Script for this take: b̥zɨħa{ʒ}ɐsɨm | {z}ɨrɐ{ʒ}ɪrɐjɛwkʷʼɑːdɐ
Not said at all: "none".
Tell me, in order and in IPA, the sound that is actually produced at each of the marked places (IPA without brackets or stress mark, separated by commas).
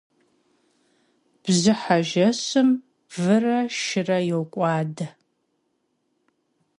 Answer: ʒ, v, ʃ